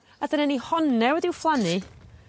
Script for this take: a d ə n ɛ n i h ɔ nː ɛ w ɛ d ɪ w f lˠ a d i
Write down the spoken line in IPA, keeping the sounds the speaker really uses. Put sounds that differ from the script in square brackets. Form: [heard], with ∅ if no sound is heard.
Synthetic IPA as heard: a d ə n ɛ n i h ɔ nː ɛ w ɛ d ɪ w f lˠ a [n] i